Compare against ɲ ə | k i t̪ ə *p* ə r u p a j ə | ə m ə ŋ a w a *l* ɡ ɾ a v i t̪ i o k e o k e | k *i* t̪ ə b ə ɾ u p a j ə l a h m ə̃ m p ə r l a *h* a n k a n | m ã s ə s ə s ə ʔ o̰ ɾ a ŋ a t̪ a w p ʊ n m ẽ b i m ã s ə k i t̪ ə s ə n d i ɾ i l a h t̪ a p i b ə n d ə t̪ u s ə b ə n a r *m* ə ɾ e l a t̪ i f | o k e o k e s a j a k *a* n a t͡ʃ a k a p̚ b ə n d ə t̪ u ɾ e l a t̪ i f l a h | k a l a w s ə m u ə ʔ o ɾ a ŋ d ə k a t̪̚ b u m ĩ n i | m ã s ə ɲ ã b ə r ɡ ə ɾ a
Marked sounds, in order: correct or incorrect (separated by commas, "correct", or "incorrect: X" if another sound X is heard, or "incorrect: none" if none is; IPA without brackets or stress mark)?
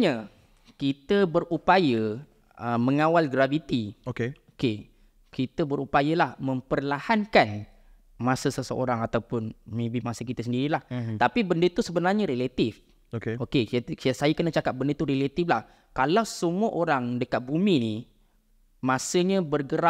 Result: incorrect: b, correct, correct, correct, incorrect: ɲ, incorrect: ə